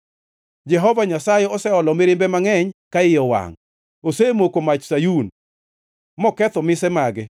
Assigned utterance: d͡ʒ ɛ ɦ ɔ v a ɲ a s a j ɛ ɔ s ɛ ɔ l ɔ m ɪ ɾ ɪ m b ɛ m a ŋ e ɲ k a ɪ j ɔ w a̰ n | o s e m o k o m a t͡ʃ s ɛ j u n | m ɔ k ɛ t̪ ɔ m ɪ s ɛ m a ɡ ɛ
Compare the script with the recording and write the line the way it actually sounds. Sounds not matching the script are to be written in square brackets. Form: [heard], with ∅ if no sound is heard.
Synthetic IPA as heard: d͡ʒ ɛ ɦ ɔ v a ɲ a s a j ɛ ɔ s ɛ ɔ l ɔ m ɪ ɾ ɪ m b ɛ m a ŋ [ɛ] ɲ k a ɪ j ɔ w a̰ [ŋ] | o s e m o k o m a t͡ʃ s [a] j u n | m ɔ k ɛ t̪ ɔ m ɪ s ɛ m a ɡ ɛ